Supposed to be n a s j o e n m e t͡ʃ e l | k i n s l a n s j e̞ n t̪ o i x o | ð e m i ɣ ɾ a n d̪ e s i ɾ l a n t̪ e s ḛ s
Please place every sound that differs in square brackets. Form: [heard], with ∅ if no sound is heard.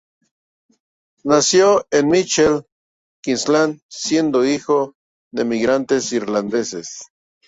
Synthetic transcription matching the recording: n a s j o e n m [i] t͡ʃ e l | k i n s l a n s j e̞ n [d̪] o i x o | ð e m i ɣ ɾ a n [t̪] e s i ɾ l a n [d̪] e s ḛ s